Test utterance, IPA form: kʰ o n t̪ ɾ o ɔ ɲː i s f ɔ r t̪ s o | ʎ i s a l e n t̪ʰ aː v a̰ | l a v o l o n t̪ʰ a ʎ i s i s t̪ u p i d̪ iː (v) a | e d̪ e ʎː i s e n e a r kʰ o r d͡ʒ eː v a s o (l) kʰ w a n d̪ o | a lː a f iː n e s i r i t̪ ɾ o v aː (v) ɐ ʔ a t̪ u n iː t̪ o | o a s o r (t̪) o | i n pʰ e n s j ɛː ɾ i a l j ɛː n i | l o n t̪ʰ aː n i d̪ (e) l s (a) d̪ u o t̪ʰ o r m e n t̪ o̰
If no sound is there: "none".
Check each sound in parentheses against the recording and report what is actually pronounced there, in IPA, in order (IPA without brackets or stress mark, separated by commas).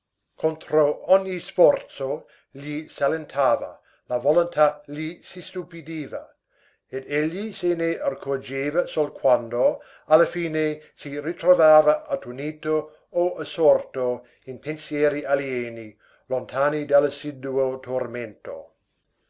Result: v, l, v, t̪, a, i